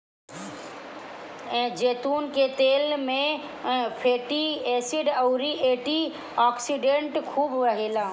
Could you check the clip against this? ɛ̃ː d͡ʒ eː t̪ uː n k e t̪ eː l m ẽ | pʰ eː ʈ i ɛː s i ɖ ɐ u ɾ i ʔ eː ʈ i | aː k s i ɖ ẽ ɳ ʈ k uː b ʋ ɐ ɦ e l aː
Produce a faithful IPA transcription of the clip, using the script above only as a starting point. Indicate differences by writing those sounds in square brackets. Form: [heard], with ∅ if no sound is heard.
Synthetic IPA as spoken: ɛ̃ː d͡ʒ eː t̪ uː n k e t̪ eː l m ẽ | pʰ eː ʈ i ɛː s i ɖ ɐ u ɾ i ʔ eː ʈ i | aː k s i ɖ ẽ ɳ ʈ [kʰ] uː b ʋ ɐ ɦ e l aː